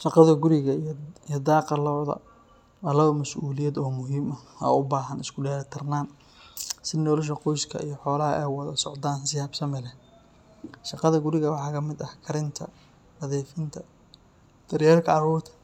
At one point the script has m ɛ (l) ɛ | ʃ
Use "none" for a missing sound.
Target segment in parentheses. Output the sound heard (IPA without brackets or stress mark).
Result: l